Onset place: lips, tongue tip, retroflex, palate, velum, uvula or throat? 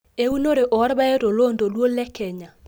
tongue tip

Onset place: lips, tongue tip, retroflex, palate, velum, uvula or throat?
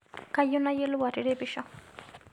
velum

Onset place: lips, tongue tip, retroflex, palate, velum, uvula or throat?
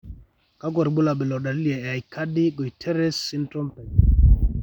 velum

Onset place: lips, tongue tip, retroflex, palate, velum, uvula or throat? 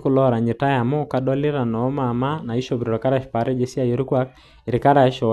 velum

